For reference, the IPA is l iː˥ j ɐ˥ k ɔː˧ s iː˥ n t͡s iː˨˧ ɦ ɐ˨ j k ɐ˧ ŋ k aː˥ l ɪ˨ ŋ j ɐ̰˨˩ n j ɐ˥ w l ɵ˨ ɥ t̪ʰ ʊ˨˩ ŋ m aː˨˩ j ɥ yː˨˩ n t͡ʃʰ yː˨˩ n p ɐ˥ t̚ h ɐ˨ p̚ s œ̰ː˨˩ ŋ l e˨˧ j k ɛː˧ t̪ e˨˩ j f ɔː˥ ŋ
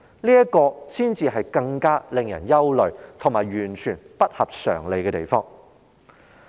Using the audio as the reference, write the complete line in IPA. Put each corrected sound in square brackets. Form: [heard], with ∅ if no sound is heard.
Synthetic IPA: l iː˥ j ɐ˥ k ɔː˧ s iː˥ n t͡s iː˨˧ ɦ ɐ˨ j k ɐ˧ ŋ k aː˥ l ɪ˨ ŋ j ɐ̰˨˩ n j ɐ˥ w l ɵ˨ ɥ t̪ʰ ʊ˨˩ ŋ m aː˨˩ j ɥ yː˨˩ n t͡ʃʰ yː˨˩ n p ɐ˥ t̚ h ɐ˨ p̚ s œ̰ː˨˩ ŋ l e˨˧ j k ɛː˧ t̪ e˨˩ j f ɔː˥ ŋ